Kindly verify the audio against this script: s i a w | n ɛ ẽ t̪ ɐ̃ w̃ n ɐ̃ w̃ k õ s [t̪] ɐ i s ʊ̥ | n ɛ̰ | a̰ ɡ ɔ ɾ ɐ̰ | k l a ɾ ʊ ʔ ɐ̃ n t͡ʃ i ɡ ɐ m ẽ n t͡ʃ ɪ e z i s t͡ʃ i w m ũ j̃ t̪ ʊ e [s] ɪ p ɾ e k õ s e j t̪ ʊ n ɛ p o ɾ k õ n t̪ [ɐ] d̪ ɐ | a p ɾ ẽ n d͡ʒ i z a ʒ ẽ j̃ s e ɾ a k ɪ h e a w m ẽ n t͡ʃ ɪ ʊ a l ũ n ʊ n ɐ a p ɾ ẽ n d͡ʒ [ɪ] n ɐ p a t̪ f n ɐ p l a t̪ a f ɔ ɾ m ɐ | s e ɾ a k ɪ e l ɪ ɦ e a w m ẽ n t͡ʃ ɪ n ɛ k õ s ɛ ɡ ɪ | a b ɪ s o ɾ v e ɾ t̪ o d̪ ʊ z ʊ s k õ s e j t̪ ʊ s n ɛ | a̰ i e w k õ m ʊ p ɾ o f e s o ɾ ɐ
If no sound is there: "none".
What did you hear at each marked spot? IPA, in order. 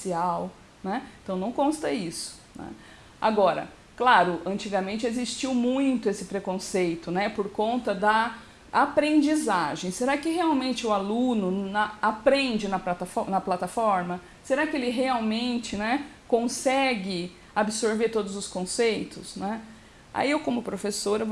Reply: t̪, s, ɐ, ɪ

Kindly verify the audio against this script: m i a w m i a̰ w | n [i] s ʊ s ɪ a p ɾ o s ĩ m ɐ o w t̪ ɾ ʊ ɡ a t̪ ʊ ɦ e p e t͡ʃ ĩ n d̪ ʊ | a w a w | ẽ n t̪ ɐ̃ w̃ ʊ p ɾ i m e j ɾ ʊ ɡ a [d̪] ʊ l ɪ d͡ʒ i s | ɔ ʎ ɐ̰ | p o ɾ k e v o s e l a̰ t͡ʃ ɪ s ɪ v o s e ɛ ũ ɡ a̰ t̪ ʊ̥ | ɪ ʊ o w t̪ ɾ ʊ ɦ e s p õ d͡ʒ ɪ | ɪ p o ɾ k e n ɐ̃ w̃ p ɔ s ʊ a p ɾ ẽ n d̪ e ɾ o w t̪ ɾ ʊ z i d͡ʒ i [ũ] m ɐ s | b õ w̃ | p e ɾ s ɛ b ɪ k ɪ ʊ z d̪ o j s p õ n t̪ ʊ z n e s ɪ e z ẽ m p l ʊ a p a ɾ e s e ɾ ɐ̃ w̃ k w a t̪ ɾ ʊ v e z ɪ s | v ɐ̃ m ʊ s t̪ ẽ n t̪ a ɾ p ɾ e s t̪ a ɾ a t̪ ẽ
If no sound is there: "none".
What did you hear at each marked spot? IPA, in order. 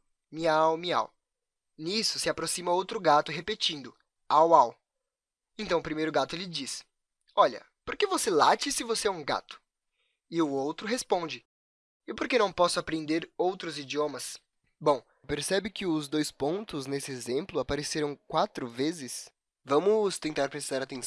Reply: i, t̪, õ

